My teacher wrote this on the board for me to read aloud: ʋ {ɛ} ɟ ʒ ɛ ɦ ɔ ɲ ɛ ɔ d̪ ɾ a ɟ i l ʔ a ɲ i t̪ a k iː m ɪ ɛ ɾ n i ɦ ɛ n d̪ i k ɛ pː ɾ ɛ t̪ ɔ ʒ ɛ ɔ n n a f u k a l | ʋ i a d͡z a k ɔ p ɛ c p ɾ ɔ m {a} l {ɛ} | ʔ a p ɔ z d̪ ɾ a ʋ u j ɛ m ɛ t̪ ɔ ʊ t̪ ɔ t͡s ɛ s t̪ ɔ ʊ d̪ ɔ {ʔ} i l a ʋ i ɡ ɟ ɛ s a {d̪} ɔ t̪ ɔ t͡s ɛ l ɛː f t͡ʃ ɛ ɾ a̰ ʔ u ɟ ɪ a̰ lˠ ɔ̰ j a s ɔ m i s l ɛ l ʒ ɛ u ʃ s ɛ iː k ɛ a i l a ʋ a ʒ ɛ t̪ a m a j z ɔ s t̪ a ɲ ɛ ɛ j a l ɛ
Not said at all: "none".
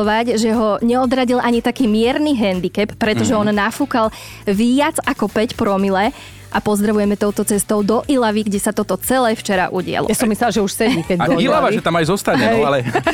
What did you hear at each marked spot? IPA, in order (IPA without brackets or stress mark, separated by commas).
a, i, ɛ, ʔ, t̪